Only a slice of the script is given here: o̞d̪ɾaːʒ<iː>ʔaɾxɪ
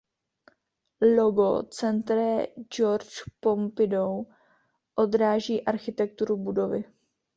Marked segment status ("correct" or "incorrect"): correct